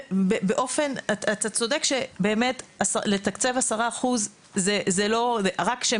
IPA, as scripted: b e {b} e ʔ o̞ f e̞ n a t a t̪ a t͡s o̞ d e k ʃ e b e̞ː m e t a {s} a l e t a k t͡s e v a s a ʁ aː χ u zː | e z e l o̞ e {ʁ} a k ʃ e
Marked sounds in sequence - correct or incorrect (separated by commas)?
correct, correct, correct